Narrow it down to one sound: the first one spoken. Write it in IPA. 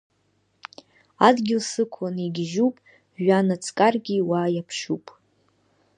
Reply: a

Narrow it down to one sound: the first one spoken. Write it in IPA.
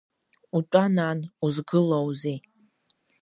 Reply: u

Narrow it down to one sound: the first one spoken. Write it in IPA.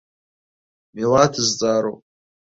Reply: m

